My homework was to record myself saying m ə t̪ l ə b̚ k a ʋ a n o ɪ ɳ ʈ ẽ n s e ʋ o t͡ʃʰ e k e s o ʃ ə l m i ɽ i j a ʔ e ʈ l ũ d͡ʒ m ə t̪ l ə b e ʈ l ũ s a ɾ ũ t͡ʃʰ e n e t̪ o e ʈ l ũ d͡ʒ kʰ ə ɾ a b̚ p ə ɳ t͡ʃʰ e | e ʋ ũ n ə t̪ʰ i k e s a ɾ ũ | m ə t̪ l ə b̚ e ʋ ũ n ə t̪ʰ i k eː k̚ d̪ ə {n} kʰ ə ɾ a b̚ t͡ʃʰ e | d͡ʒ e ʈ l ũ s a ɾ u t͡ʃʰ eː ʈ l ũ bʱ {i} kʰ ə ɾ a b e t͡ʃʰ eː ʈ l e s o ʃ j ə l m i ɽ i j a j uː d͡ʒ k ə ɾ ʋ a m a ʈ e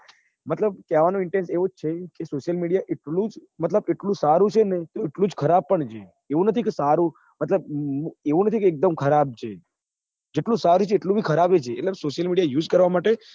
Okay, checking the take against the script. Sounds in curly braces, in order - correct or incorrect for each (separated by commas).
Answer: incorrect, correct